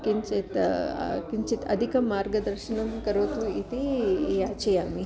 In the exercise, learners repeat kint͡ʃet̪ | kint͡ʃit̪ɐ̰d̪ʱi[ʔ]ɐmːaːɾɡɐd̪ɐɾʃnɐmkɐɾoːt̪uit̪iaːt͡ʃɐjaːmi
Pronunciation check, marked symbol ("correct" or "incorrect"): incorrect